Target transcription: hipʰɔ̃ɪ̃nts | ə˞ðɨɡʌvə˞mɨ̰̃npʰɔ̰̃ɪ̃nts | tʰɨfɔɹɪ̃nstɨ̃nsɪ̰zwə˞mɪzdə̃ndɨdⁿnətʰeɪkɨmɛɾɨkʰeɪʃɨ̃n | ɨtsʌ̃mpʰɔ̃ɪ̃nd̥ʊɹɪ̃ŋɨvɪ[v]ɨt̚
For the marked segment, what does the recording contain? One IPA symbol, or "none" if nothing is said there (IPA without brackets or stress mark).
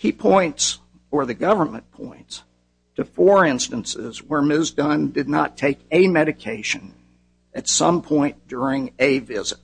z